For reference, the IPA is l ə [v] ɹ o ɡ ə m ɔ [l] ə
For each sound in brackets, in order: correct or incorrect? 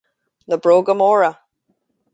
incorrect, incorrect

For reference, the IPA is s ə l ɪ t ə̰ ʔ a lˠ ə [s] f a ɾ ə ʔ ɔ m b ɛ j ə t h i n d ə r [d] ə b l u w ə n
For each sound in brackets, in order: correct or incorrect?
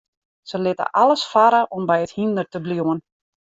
correct, incorrect

